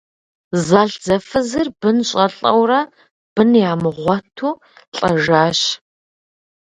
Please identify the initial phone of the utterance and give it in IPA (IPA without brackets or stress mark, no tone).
z